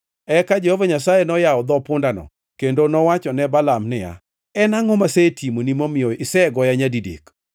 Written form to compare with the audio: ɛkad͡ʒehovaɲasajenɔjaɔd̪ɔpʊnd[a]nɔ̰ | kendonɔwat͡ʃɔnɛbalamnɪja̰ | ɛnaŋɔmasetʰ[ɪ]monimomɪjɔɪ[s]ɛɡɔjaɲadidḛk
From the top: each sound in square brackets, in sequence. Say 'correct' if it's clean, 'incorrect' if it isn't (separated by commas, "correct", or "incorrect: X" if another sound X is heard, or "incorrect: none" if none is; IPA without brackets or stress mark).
correct, incorrect: i, correct